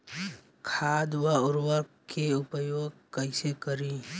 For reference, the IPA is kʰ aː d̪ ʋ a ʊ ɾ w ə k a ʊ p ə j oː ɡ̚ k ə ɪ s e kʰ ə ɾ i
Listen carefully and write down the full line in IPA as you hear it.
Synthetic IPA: kʰ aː d̪ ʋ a ʊ ɾ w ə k e ʊ p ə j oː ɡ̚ k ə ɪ s e k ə ɾ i